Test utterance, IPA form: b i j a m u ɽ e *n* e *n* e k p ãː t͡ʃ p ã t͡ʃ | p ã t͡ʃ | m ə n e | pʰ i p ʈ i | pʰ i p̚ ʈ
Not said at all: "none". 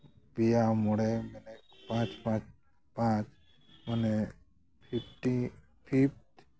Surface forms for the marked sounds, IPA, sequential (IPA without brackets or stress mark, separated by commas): m, n